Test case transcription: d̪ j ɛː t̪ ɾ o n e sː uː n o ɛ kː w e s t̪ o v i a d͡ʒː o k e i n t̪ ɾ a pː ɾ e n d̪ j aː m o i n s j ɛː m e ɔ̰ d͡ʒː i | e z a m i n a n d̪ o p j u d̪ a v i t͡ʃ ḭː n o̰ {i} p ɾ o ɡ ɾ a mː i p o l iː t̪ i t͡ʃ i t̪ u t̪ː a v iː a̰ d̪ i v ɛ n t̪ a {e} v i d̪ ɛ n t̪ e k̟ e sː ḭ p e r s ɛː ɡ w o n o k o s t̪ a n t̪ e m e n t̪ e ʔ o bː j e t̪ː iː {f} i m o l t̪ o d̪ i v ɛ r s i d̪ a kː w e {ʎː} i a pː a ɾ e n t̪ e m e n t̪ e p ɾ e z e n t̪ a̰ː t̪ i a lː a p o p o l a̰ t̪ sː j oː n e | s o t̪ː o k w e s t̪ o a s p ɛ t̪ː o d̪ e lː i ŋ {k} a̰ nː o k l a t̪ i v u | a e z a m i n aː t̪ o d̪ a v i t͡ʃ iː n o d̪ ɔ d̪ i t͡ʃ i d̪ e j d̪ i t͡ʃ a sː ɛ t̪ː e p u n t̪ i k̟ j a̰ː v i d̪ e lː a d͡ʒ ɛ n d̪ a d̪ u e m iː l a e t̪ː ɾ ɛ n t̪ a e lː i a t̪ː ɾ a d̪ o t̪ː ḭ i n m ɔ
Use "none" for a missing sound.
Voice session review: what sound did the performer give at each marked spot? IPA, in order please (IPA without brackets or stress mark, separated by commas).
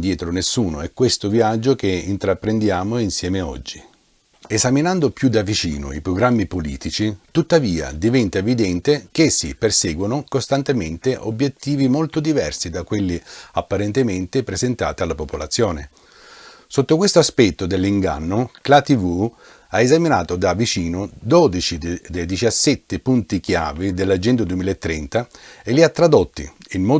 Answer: i, e, v, lː, ɡ